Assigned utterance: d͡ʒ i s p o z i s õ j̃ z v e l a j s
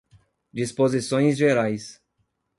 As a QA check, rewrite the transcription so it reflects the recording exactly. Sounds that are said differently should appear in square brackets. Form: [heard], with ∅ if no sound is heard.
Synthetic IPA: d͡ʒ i s p o z i s õ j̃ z [ʒ] e [ɾ] a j s